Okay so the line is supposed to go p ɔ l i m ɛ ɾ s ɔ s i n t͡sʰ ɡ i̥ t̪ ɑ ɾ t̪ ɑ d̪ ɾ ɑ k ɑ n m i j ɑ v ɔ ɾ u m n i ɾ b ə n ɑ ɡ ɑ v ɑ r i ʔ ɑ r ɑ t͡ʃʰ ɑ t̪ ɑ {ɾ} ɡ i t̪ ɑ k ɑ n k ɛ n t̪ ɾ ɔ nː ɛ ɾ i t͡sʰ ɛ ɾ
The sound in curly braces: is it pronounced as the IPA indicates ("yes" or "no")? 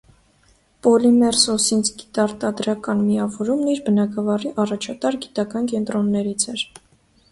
yes